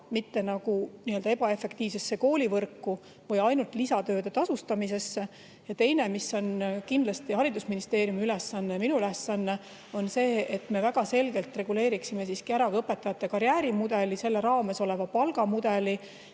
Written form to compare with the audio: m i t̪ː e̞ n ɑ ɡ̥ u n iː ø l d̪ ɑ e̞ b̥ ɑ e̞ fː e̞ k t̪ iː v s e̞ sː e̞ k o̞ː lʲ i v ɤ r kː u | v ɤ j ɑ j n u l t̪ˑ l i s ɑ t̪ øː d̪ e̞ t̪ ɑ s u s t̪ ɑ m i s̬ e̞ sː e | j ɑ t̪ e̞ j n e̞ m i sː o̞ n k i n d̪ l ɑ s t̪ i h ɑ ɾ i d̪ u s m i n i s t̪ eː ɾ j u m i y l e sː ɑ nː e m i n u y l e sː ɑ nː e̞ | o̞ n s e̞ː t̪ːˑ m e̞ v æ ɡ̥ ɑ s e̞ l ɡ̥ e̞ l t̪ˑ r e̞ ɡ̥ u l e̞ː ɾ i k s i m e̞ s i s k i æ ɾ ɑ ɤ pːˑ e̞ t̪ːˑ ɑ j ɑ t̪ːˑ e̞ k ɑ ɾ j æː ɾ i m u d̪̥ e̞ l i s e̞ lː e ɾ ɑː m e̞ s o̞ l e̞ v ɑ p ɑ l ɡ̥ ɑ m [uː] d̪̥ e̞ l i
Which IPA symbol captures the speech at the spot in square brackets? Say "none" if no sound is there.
u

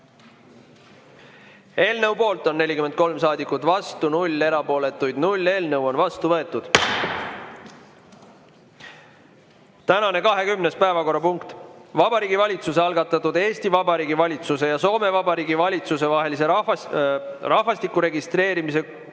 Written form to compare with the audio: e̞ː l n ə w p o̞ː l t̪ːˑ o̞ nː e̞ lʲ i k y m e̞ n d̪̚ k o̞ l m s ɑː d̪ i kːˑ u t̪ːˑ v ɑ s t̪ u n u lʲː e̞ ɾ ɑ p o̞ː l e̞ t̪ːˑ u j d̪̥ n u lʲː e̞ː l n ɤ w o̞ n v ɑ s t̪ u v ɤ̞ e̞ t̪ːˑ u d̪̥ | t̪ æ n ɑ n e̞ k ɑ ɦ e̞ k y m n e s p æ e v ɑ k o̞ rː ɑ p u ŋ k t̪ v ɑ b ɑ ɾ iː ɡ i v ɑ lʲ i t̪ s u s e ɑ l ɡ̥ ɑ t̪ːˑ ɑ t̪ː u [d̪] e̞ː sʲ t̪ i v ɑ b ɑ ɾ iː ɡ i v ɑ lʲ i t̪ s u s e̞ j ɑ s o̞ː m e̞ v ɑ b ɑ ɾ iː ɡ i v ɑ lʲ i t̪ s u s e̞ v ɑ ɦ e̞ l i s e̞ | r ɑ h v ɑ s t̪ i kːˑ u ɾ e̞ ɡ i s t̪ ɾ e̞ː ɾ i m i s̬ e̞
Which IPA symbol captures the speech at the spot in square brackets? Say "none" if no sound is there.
d̪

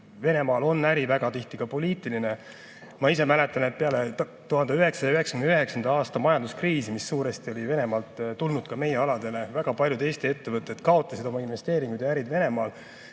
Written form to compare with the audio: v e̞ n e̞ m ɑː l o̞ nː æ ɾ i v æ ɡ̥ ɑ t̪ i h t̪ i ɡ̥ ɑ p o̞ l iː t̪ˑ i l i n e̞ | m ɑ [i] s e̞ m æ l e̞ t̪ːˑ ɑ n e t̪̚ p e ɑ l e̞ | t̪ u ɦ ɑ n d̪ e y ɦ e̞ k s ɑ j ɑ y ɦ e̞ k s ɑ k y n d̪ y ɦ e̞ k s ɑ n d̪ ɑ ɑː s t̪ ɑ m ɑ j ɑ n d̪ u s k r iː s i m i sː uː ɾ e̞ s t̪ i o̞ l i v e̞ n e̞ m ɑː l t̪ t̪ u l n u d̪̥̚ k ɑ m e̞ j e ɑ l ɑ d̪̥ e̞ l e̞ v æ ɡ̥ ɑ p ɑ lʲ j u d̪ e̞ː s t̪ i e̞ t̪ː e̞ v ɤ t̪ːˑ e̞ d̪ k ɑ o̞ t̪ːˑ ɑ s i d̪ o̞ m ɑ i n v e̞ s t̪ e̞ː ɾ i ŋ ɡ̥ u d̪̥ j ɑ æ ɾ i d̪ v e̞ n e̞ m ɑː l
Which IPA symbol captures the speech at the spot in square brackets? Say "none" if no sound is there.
i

